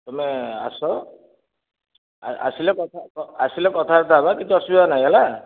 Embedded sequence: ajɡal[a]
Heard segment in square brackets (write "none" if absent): a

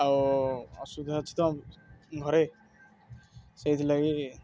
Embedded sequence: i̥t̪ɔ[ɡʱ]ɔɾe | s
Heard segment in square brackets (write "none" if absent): ɡʱ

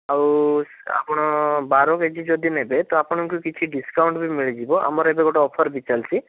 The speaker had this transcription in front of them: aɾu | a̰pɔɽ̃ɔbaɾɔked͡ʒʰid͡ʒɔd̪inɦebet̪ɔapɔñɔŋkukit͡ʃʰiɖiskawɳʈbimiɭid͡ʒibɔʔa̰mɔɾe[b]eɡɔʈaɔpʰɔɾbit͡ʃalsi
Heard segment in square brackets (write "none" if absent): b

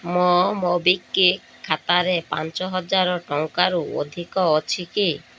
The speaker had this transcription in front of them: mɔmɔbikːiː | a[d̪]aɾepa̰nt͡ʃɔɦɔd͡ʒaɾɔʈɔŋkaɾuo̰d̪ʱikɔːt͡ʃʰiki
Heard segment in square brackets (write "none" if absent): t̪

